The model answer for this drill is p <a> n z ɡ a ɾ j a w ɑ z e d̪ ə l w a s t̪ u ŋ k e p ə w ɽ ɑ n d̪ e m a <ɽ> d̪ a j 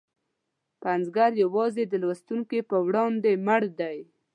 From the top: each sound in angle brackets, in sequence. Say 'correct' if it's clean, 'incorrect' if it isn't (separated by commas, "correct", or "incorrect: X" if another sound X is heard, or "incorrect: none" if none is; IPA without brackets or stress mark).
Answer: correct, correct